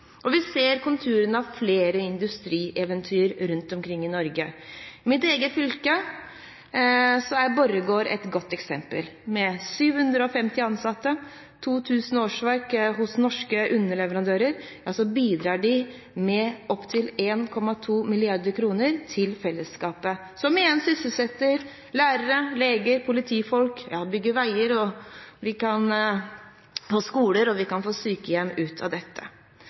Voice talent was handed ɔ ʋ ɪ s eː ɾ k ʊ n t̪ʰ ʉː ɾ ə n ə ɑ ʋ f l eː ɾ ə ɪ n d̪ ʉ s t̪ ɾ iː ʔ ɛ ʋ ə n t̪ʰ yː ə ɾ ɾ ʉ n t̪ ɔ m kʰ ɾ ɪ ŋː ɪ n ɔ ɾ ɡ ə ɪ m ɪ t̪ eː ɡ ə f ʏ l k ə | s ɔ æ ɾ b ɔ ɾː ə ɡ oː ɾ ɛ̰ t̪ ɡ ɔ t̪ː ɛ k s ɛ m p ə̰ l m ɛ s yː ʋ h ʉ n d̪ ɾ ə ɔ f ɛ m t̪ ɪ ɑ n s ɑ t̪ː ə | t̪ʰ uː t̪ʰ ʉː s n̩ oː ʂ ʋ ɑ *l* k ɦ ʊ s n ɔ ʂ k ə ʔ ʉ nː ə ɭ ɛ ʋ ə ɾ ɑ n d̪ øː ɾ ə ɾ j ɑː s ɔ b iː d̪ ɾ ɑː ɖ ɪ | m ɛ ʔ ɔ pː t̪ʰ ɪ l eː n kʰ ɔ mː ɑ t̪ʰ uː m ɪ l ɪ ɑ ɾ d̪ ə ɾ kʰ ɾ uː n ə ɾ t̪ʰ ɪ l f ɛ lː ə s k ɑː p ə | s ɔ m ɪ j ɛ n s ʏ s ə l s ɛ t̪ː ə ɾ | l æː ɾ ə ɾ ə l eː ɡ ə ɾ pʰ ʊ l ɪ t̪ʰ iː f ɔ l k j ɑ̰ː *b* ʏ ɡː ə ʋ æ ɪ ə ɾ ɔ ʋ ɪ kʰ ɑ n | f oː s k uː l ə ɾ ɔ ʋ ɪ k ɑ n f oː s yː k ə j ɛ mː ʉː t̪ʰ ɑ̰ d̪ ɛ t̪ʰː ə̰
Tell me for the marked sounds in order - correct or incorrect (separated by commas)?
incorrect, correct